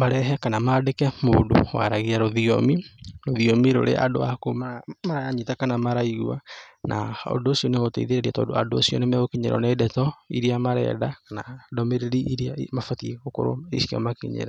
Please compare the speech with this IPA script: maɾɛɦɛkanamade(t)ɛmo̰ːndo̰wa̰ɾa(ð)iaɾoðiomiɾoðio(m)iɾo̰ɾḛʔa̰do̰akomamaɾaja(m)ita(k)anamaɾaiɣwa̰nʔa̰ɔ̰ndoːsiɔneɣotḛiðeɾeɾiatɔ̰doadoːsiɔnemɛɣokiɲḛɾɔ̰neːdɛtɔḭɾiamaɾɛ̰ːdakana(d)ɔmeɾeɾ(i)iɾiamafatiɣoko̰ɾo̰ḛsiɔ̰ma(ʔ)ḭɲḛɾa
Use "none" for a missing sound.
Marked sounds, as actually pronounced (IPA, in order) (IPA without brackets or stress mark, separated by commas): k, ɣ, m, ɲ, k, d, i, k